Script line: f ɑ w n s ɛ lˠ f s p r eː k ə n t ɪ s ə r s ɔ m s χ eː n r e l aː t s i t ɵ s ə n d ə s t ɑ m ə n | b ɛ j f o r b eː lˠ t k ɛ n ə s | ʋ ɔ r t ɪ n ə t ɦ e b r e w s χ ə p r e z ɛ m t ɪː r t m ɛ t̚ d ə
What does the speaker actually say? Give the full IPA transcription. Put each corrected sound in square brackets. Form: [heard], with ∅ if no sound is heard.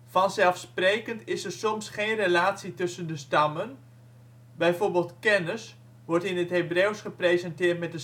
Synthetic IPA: f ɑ [∅] n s ɛ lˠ f s p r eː k ə n t ɪ s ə r s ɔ m s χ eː n r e l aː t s i t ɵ s ə n d ə s t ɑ m ə n | b ɛ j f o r b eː lˠ t k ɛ n ə s | ʋ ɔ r t ɪ n ə t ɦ e b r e w s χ ə p r e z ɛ [n] t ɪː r t m ɛ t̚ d ə